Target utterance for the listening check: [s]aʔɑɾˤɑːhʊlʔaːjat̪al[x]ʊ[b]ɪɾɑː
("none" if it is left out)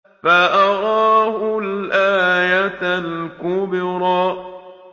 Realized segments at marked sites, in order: f, k, b

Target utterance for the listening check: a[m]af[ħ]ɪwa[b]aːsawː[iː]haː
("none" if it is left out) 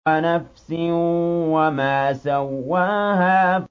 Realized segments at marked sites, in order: n, s, m, aː

